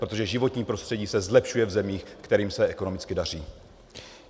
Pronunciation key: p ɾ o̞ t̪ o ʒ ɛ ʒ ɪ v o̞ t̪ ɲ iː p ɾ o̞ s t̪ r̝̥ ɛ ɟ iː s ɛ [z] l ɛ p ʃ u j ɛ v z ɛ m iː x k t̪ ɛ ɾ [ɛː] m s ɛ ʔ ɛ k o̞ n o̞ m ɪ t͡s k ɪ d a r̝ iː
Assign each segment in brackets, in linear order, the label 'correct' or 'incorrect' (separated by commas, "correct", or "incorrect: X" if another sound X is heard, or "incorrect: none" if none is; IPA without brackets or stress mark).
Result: correct, incorrect: iː